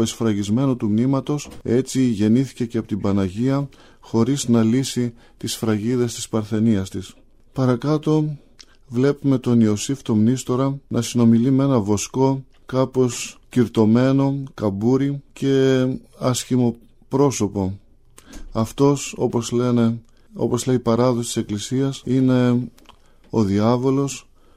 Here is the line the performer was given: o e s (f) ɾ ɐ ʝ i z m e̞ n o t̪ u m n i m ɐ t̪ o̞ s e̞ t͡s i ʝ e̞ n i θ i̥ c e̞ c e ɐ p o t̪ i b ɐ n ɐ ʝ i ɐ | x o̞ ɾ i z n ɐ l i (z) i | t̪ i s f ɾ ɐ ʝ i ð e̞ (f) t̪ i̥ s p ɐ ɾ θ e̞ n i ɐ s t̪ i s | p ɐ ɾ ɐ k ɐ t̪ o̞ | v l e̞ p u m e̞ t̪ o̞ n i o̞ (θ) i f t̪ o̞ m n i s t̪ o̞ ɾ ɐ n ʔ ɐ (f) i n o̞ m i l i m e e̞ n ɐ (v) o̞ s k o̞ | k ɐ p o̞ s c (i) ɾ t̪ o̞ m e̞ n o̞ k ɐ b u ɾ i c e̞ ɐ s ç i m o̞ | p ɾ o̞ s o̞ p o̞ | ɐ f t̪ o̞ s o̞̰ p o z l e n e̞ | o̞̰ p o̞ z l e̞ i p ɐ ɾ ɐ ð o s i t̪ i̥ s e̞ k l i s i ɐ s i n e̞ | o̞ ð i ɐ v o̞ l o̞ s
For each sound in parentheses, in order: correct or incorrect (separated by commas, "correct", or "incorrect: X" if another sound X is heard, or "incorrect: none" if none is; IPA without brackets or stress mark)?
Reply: correct, incorrect: s, incorrect: s, incorrect: s, incorrect: s, correct, correct